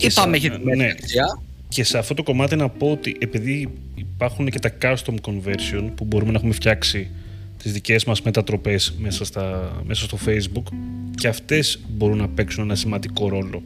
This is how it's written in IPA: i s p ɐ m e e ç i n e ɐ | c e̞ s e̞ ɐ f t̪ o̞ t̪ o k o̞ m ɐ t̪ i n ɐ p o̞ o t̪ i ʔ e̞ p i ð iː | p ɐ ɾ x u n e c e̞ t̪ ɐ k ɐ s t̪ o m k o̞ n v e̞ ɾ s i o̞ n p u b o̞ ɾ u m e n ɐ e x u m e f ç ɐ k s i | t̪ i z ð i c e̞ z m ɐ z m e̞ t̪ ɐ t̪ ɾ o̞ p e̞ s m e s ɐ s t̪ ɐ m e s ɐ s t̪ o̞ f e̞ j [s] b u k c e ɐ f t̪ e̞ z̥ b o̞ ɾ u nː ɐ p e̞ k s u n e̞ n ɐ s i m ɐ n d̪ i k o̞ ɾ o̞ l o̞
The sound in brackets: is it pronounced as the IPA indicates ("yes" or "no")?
no